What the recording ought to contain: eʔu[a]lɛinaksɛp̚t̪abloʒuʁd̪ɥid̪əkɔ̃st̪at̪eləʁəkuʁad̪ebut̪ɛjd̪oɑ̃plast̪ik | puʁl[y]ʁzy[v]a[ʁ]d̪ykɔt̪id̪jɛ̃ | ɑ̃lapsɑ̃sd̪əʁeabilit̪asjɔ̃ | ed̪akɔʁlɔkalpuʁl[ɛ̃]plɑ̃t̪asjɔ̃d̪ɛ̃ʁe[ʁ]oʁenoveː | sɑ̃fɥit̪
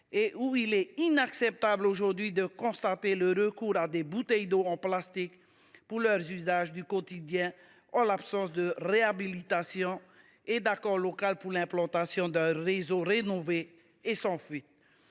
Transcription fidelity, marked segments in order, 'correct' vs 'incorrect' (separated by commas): incorrect, incorrect, incorrect, incorrect, correct, incorrect